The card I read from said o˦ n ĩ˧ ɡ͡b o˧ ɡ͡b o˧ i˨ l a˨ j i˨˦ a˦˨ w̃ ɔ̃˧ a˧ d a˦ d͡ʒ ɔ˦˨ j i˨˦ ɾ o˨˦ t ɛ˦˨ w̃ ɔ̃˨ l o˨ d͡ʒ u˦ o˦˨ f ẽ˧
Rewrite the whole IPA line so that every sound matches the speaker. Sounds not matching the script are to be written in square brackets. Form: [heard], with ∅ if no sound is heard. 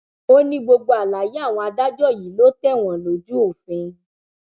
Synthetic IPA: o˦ n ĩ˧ ɡ͡b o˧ ɡ͡b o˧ [a˨] l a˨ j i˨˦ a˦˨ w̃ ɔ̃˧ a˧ d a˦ d͡ʒ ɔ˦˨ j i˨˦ [l] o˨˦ t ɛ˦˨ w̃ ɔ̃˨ l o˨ d͡ʒ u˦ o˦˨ f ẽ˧